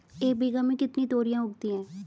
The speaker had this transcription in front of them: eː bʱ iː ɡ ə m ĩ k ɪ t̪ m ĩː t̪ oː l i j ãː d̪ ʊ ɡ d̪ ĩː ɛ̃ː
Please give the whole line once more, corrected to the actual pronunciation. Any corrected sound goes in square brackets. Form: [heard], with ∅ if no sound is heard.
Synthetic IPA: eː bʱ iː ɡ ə m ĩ k ɪ t̪ [n] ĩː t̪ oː [ɾ] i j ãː [∅] ʊ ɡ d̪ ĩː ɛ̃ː